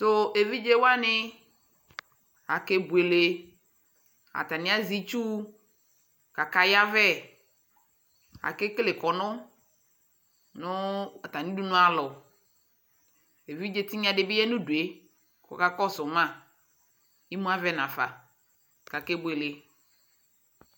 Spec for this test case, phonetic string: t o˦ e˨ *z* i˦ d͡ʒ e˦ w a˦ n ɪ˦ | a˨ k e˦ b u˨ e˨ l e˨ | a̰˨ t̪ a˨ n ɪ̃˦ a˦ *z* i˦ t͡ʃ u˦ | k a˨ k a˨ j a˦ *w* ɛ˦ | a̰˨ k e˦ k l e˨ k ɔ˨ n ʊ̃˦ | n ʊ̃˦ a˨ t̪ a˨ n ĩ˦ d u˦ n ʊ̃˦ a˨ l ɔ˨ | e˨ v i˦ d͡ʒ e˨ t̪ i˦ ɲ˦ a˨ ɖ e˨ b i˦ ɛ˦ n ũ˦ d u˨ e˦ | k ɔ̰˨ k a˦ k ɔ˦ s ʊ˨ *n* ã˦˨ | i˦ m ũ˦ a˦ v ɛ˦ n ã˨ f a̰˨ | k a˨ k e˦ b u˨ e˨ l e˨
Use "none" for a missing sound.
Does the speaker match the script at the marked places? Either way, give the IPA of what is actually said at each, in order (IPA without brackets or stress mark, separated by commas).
v, z, v, m